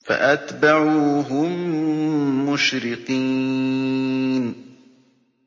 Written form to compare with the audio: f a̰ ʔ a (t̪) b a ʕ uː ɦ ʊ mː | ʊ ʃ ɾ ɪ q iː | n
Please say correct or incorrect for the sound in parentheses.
correct